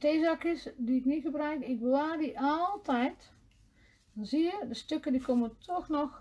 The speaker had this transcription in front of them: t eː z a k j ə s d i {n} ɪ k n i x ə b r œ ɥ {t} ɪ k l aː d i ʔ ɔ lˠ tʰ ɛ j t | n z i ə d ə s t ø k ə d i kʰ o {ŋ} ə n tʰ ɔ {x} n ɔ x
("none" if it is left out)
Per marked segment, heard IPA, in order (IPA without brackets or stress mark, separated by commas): none, k, m, x